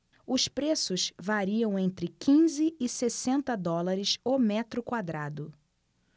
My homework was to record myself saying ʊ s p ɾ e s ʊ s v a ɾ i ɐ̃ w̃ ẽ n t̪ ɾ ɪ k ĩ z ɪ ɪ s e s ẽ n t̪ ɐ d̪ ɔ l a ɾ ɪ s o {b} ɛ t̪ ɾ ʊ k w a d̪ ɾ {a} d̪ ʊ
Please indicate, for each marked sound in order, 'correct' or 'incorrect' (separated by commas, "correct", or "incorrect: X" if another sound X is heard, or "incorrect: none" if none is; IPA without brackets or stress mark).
incorrect: m, correct